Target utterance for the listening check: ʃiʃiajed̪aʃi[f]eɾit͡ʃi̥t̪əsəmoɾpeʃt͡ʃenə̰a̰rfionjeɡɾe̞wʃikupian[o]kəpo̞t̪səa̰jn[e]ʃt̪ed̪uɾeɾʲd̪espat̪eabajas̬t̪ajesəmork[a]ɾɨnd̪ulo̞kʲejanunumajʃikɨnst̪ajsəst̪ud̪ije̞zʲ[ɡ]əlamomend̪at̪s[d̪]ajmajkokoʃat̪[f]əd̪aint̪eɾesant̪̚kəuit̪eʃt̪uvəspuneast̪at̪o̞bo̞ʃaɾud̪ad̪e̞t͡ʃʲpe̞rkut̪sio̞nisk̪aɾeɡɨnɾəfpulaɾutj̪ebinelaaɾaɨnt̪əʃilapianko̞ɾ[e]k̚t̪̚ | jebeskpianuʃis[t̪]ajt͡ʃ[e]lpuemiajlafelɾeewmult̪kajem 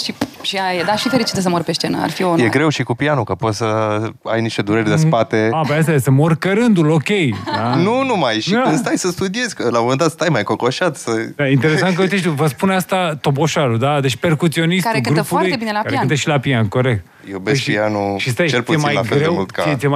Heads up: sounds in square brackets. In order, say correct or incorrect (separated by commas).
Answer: correct, incorrect, incorrect, incorrect, incorrect, incorrect, incorrect, correct, correct, correct